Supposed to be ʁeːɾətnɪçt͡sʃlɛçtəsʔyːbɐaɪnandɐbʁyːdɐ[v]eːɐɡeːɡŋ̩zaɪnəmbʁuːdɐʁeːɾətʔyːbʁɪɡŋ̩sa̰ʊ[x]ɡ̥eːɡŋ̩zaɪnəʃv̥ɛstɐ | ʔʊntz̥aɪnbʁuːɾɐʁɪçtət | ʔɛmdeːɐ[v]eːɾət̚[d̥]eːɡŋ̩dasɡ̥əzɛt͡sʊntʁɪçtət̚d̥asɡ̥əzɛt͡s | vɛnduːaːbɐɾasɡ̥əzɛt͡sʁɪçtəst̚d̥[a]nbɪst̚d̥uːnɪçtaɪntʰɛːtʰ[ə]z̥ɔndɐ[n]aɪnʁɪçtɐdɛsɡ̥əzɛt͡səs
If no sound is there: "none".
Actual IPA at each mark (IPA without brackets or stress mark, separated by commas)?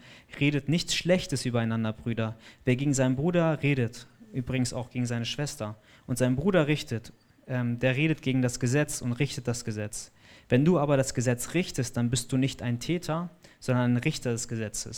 v, x, ʁ, ɡ̥, a, ɐ, n